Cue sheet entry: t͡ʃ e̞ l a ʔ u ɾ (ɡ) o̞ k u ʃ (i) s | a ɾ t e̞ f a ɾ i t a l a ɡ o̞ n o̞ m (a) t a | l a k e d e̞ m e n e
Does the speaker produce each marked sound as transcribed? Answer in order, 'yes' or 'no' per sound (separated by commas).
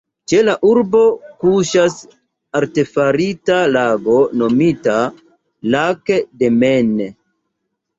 no, no, no